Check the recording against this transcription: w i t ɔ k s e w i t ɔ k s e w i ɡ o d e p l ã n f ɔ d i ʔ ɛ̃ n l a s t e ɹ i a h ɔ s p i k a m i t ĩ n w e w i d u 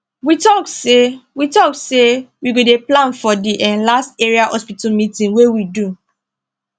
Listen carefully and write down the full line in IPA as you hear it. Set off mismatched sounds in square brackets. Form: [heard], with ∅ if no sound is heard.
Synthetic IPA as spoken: w i t ɔ k s e w i t ɔ k s e w i ɡ o d e p l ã n f ɔ d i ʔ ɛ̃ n l a s t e ɹ i a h ɔ s p i [t] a m i t ĩ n w e w i d u